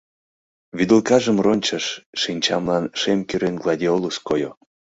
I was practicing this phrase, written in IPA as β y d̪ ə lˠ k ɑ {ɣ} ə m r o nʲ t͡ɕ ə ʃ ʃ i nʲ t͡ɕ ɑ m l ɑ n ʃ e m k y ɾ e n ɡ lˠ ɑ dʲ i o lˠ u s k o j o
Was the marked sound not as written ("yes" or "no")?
yes